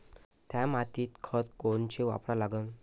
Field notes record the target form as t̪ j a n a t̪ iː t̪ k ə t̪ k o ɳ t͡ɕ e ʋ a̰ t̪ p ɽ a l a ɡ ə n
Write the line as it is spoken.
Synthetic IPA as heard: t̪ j a m a t̪ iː t̪ kʰ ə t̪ k o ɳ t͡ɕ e ʋ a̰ p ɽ a l a ɡ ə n